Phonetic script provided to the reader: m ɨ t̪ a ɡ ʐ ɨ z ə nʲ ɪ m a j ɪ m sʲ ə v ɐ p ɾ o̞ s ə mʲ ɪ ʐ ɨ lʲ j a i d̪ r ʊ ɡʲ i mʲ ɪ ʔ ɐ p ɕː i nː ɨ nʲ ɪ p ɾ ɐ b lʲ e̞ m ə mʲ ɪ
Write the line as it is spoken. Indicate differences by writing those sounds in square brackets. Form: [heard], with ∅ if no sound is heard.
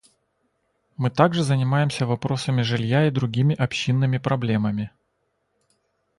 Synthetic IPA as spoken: m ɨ t̪ a ɡ ʐ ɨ z ə nʲ ɪ m a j ɪ m sʲ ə v ɐ p ɾ o̞ s ə mʲ ɪ ʐ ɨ lʲ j a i d̪ [ɾ] ʊ ɡʲ i mʲ ɪ ʔ ɐ p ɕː i nː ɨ [mʲ] ɪ p ɾ ɐ b lʲ e̞ m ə mʲ ɪ

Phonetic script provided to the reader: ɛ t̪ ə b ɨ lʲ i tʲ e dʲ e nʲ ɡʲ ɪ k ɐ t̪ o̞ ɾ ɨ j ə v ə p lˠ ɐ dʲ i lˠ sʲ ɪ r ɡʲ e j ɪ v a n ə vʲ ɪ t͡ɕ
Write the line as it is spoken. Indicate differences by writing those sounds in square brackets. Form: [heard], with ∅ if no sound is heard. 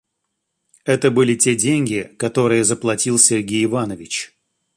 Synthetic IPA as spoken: ɛ t̪ ə b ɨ lʲ [ɪ] tʲ e dʲ e nʲ ɡʲ ɪ k ɐ t̪ o̞ ɾ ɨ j ə [z] ə p lˠ ɐ [tʲ] i lˠ sʲ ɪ r ɡʲ e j ɪ v a n ə vʲ ɪ t͡ɕ

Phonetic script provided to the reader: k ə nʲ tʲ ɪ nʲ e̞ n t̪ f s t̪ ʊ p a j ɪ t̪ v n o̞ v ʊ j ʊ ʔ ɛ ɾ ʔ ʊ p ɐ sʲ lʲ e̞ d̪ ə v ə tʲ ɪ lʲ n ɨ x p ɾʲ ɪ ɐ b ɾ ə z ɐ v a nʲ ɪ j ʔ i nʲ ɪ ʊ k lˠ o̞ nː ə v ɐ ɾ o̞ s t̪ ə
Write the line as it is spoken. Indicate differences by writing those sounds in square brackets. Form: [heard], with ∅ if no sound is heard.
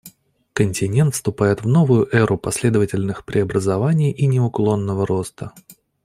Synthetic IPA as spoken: k ə nʲ tʲ ɪ nʲ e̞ n t̪ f s t̪ ʊ p a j ɪ t̪ v n o̞ v ʊ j ʊ ʔ ɛ ɾ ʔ ʊ p ɐ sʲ lʲ e̞ d̪ ə v ə tʲ ɪ lʲ n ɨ x p ɾʲ ɪ ɐ b ɾ ə z ɐ v a nʲ ɪ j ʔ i nʲ ɪ ʊ k lˠ o̞ nː ə v [ə] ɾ o̞ s t̪ ə

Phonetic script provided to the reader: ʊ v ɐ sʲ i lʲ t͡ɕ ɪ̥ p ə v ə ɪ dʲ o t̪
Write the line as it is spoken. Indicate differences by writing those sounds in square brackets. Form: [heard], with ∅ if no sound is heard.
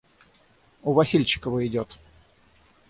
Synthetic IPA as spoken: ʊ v ɐ sʲ i lʲ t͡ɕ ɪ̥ [k] ə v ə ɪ dʲ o t̪

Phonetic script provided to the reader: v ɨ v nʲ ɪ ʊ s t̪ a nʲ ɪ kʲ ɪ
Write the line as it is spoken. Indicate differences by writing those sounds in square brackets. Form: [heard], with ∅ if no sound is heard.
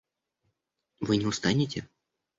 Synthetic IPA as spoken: v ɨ [∅] nʲ ɪ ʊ s t̪ a nʲ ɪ [tʲ] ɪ

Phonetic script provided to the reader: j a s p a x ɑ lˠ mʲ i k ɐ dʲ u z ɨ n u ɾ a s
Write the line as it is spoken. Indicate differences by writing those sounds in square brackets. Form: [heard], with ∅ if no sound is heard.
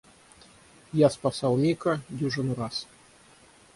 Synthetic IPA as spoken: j a s p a [s] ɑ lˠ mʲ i k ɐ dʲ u [ʐ] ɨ n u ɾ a s

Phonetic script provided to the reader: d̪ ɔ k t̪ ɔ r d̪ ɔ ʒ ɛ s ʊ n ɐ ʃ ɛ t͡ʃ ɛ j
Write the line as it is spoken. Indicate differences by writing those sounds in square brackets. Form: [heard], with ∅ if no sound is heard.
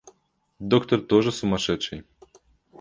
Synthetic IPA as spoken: d̪ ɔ k t̪ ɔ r [t̪] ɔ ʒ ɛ s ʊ [m] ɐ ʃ ɛ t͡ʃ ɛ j

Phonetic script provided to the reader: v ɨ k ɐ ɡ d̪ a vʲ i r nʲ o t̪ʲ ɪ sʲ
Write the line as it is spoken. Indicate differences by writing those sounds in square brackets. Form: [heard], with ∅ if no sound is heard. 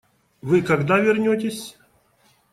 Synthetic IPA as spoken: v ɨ k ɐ ɡ d̪ a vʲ [ɪ] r nʲ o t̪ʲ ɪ sʲ

